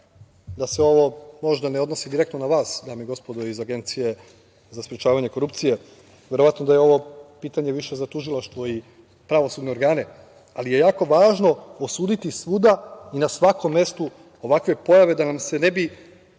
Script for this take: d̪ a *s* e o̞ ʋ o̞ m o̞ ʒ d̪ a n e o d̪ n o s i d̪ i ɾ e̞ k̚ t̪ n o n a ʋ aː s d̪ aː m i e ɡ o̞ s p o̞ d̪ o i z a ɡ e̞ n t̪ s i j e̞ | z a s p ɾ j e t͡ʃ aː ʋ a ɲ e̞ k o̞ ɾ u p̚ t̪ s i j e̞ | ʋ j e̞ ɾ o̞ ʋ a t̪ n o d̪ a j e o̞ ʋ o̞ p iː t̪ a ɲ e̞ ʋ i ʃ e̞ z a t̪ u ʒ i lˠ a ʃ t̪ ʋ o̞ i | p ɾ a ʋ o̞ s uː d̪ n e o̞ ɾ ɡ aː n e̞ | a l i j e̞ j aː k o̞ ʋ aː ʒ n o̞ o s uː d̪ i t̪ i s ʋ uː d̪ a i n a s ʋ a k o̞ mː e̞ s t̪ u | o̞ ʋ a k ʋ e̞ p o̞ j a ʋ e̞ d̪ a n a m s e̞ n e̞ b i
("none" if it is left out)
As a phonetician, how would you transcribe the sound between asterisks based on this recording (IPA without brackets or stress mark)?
s